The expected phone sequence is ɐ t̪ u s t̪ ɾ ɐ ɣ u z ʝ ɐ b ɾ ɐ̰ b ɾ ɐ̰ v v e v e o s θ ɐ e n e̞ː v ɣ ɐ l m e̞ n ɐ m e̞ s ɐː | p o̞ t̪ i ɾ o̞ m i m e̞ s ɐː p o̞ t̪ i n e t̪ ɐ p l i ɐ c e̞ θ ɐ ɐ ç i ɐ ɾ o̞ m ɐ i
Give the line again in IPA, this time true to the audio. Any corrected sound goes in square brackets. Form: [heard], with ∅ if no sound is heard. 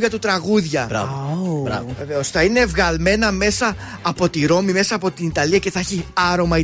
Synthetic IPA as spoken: ɐ t̪ u [∅] t̪ ɾ ɐ ɣ u [ð] ʝ ɐ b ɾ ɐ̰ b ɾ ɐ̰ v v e v e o s θ ɐ [i] n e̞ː v ɣ ɐ l m e̞ n ɐ m e̞ s ɐː | p o̞ t̪ i ɾ o̞ m i m e̞ s ɐː p o̞ t̪ i n [i] t̪ ɐ [∅] l i ɐ c e̞ θ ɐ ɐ ç i ɐ ɾ o̞ m ɐ i